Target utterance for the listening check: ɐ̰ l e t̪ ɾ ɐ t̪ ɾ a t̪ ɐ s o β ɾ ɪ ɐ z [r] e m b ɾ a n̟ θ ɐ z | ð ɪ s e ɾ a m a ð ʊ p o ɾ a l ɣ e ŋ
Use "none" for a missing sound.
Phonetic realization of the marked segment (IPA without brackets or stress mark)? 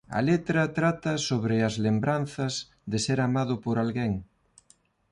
l